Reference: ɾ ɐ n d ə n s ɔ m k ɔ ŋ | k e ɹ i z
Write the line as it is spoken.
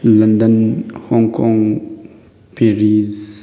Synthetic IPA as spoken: l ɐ n d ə n h ɔ ŋ k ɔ ŋ | p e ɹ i z